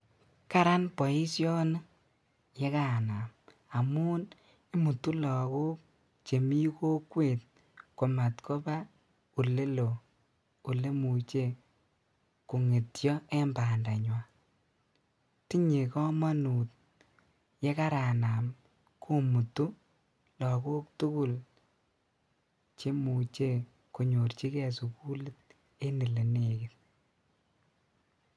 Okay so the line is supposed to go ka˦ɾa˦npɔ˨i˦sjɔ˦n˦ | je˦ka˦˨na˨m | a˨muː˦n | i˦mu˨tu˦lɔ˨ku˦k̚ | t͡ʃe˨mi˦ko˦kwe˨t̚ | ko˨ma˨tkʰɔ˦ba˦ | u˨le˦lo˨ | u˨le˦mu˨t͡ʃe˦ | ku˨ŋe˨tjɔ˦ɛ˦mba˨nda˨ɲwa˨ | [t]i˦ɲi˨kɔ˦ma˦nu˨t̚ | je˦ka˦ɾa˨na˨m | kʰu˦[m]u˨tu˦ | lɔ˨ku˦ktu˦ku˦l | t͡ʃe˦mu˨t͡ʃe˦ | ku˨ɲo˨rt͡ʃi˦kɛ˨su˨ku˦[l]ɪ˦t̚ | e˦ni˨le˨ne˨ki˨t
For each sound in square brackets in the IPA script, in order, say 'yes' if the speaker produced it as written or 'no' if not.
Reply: yes, yes, yes

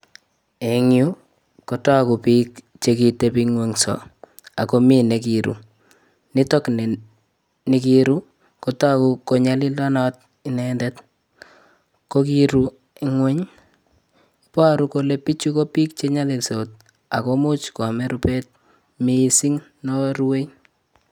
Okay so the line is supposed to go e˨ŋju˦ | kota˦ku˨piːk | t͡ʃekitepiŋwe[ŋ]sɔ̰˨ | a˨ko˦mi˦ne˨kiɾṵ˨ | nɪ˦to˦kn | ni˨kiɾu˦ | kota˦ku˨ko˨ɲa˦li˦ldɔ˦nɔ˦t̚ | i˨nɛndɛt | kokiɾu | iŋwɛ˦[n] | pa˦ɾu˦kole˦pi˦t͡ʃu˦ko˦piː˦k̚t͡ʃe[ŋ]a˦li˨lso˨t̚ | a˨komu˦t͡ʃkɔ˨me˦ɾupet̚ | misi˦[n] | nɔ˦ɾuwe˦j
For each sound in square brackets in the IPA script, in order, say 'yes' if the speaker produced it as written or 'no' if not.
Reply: yes, no, no, no

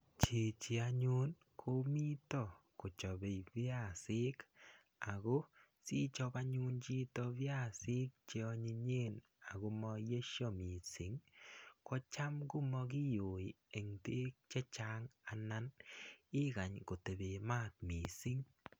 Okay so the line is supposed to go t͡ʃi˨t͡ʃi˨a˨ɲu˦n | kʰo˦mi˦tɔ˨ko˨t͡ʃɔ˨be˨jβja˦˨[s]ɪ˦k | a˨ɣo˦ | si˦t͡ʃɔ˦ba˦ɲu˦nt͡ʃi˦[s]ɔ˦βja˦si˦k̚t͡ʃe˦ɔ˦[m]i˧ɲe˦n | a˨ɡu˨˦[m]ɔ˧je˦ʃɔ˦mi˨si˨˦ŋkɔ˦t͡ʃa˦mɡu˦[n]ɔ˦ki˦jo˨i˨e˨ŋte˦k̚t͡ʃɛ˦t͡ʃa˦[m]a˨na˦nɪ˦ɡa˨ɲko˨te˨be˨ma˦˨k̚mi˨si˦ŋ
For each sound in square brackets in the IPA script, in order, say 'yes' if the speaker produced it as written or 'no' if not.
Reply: yes, no, no, yes, no, no

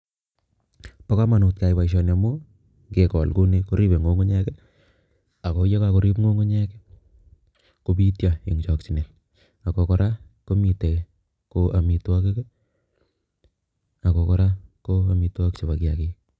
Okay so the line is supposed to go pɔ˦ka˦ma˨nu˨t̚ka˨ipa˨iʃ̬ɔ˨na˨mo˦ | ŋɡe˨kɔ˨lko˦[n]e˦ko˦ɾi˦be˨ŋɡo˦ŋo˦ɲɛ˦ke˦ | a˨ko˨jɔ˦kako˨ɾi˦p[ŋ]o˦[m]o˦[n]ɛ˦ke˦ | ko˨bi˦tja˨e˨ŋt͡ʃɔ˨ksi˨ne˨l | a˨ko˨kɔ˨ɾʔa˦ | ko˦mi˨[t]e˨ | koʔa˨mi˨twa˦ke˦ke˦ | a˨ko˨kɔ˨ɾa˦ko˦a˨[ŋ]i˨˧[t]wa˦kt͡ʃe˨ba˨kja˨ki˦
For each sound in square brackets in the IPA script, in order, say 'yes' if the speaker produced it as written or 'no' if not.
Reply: yes, yes, no, no, yes, no, yes

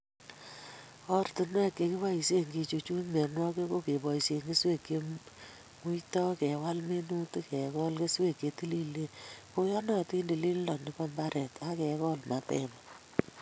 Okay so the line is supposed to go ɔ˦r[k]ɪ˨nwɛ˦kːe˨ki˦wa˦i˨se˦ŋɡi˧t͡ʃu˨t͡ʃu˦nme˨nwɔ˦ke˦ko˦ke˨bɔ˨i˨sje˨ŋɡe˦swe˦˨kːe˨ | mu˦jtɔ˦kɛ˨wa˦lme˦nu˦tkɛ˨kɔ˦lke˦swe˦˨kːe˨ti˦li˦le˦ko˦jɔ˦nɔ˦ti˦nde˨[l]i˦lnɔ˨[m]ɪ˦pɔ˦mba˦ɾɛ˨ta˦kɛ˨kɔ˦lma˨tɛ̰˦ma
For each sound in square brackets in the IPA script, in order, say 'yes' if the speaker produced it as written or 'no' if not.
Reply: no, yes, no

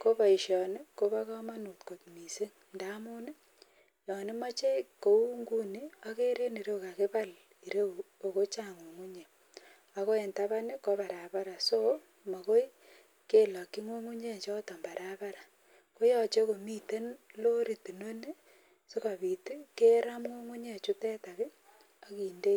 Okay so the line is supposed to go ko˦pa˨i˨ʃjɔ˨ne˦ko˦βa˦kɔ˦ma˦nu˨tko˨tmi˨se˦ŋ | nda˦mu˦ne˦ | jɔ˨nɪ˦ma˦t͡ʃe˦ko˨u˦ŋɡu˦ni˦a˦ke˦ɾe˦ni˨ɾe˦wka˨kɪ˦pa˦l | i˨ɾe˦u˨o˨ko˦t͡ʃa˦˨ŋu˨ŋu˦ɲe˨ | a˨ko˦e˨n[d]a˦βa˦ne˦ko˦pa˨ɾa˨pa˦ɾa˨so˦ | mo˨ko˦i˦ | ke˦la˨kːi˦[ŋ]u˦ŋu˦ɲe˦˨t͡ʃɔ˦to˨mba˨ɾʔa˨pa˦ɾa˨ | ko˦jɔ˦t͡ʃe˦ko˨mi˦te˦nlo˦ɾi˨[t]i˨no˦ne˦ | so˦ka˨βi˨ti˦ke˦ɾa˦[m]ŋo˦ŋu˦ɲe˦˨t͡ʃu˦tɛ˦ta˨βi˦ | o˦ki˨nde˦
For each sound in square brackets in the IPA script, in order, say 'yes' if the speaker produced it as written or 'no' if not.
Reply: no, yes, yes, yes

